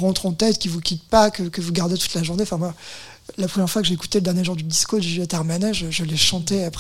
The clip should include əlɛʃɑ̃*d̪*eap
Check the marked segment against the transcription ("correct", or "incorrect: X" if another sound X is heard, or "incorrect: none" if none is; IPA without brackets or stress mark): incorrect: t̪